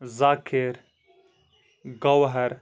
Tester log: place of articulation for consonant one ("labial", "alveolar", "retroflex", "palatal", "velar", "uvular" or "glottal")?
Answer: alveolar